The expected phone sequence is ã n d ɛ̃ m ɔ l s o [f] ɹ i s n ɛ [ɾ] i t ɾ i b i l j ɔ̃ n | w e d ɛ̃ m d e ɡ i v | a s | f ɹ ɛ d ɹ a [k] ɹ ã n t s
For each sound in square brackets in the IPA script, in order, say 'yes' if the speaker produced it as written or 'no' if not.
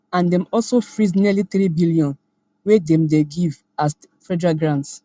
yes, no, no

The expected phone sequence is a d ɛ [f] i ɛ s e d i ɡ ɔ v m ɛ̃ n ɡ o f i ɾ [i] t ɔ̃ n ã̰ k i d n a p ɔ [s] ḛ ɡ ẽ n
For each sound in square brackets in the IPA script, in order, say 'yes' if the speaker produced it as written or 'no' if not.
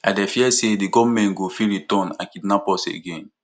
yes, yes, yes

